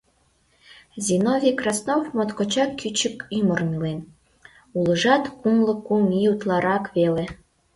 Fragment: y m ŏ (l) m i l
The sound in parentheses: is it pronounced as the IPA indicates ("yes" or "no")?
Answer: no